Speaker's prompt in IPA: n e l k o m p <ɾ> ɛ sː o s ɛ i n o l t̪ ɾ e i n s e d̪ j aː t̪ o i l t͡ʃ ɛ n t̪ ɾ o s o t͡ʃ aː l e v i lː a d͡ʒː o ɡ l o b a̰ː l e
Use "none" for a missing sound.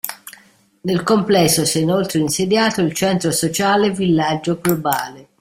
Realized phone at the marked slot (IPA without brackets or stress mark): l